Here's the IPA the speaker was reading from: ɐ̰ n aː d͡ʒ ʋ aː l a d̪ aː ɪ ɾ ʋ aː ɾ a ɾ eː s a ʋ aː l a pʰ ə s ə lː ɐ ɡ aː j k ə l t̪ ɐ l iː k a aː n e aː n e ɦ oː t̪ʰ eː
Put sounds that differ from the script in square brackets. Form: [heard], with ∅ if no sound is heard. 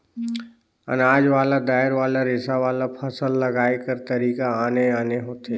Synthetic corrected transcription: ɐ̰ n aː d͡ʒ ʋ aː l a d̪ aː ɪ ɾ ʋ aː [l] a ɾ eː s a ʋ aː l a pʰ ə s ə lː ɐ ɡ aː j k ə [ɾ] t̪ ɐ [ɾ] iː k a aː n e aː n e ɦ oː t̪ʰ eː